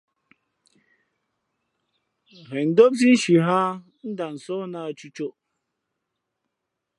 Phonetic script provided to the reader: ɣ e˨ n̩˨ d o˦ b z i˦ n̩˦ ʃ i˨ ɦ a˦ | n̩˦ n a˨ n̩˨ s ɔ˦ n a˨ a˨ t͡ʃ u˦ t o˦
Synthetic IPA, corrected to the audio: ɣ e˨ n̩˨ d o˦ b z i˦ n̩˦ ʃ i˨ ɦ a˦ | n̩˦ d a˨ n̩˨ s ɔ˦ n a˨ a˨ t͡ʃ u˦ t͡ʃ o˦